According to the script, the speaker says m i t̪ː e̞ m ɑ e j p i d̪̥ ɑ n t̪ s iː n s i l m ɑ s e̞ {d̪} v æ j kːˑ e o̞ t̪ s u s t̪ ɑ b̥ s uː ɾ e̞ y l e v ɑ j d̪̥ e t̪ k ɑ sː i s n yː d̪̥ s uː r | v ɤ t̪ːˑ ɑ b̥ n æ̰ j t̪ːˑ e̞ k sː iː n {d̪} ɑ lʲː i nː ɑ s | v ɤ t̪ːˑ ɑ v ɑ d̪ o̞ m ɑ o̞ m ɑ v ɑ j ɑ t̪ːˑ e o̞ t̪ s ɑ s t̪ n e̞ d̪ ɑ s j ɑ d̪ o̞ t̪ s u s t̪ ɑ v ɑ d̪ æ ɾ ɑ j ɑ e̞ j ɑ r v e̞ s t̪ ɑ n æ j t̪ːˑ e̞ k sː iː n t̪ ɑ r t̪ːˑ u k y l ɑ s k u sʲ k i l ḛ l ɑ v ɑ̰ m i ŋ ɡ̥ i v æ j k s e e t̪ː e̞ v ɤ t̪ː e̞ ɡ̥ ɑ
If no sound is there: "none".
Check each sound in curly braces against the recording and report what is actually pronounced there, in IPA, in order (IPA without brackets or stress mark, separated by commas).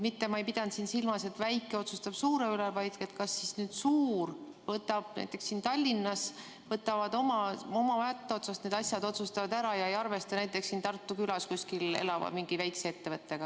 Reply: t̪, t̪